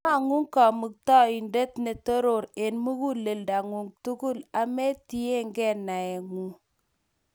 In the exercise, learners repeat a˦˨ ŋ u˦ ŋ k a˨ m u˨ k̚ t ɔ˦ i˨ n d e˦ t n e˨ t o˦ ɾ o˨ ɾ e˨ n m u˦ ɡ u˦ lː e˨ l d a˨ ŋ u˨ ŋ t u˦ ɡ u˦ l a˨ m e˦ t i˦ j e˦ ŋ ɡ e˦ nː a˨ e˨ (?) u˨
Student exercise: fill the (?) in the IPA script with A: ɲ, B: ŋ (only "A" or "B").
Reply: B